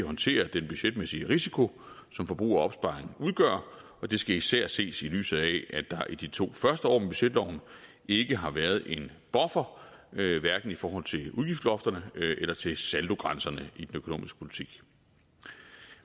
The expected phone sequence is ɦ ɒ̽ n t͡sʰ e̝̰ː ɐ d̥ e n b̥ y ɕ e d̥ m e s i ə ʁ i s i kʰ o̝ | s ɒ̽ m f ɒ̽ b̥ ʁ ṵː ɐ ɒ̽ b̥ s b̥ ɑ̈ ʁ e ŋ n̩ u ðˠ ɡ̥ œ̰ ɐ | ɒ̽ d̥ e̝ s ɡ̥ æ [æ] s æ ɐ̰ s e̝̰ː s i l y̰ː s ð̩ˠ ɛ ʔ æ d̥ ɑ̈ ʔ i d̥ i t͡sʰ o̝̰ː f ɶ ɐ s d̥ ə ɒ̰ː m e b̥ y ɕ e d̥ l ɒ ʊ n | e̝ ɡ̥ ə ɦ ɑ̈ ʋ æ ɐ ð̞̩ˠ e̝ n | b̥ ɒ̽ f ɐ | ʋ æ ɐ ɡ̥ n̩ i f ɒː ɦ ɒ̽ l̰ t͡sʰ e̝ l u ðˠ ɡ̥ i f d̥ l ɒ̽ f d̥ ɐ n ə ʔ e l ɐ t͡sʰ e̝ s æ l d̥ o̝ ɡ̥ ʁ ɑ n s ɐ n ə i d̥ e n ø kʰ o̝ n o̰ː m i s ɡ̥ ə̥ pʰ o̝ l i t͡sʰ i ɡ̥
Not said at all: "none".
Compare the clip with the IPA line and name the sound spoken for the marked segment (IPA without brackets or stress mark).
i